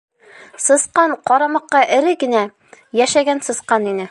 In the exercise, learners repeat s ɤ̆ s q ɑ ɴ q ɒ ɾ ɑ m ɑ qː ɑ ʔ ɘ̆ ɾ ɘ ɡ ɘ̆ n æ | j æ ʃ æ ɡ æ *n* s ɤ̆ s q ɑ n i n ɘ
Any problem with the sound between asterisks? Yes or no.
no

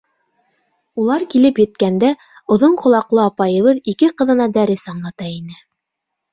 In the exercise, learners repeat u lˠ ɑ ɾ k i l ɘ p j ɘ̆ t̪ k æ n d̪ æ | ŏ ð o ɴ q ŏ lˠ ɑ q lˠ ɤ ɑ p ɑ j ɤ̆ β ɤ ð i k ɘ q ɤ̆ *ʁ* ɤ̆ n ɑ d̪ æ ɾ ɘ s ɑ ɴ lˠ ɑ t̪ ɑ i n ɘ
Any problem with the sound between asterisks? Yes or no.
yes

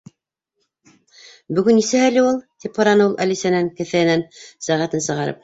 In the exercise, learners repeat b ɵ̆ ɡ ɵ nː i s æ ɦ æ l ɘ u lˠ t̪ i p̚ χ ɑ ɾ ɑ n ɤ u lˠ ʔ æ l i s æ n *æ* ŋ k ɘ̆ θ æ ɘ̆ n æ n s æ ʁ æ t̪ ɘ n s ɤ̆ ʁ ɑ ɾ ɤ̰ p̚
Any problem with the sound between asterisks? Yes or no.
no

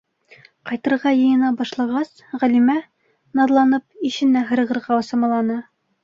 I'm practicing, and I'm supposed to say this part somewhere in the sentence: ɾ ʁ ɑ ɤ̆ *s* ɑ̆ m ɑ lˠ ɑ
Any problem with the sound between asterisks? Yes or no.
no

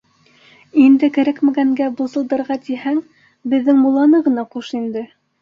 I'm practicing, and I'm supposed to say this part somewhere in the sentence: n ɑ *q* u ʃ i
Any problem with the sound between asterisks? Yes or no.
no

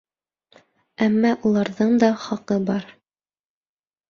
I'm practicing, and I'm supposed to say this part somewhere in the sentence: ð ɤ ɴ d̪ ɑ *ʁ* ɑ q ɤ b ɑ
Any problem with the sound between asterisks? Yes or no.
yes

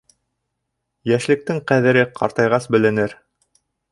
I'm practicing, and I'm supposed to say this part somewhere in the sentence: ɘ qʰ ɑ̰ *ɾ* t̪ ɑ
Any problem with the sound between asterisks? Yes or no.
no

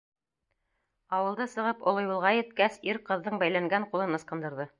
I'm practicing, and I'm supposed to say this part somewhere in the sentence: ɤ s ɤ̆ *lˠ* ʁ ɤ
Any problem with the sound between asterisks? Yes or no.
yes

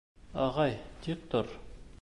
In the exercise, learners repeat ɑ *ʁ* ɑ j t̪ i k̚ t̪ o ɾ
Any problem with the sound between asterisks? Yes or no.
no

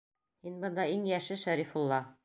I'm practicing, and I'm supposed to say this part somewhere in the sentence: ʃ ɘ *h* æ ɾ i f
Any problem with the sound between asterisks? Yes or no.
yes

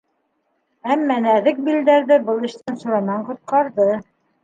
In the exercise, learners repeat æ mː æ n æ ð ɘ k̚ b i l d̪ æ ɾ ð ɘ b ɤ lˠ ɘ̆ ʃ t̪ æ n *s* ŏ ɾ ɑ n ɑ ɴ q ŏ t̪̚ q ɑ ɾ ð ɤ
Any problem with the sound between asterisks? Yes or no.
no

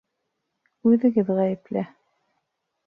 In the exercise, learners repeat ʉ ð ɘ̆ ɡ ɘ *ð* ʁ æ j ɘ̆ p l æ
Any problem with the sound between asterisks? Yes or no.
no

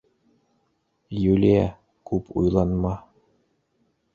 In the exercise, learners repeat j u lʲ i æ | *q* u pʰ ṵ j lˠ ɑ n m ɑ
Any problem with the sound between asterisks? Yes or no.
yes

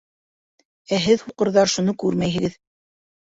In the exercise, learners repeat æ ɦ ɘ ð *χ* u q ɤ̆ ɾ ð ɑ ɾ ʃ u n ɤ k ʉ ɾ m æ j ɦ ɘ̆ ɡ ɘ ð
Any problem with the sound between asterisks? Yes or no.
yes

